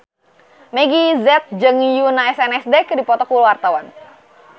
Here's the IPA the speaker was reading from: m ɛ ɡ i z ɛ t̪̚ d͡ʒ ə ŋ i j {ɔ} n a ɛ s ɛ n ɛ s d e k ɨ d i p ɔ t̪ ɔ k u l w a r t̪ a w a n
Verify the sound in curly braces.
incorrect: u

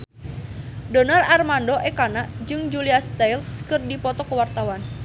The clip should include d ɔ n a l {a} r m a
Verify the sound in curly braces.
correct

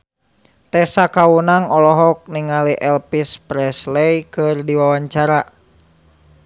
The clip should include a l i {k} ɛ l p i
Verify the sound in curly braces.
incorrect: ʔ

